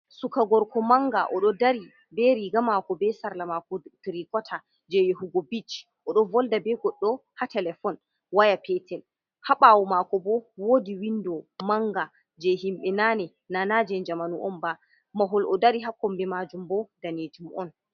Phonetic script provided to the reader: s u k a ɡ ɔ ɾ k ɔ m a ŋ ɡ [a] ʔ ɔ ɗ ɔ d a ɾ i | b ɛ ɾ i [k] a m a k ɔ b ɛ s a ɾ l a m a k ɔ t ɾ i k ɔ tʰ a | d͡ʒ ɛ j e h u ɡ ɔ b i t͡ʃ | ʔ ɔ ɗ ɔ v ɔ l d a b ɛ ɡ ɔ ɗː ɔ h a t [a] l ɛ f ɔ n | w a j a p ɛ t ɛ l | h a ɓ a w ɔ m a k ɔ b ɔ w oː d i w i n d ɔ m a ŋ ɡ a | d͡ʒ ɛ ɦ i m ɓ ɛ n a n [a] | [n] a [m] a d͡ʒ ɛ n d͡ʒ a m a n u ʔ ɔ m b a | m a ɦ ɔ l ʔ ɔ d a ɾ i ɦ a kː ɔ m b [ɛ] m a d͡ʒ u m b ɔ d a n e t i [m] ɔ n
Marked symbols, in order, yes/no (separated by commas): yes, no, no, no, yes, no, yes, yes